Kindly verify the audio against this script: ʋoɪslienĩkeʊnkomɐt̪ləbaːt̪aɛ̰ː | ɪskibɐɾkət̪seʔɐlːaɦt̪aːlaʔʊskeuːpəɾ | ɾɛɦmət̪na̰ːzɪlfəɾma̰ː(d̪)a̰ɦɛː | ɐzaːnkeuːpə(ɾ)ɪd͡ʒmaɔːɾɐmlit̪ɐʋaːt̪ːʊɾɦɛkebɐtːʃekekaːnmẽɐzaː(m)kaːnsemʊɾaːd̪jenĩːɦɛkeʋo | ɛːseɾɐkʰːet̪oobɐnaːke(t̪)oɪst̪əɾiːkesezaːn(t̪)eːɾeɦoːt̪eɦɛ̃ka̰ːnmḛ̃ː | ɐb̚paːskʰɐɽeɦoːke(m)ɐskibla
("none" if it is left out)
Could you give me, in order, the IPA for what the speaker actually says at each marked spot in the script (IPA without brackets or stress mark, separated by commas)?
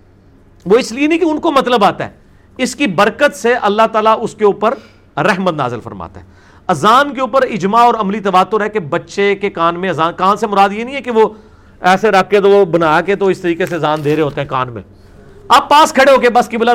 t̪, ɾ, n, t̪, d̪, b